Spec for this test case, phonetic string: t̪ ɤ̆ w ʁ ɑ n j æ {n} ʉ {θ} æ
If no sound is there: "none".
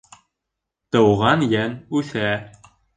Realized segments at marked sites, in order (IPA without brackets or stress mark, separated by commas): n, θ